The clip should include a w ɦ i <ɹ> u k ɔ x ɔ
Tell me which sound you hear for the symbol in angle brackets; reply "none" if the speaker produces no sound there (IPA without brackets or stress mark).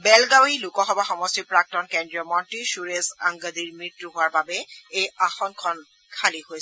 l